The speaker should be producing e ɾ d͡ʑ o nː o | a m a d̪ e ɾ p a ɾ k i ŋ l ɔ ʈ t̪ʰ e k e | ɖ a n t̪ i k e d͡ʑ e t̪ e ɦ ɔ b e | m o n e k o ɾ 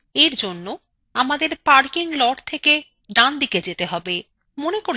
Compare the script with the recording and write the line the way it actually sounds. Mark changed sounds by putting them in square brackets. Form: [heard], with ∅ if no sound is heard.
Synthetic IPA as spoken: e ɾ d͡ʑ o nː o | a m a d̪ e ɾ p a ɾ k i ŋ l ɔ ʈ t̪ʰ e k e | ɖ a n [d̪] i k e d͡ʑ e t̪ e ɦ ɔ b e | m o n e k o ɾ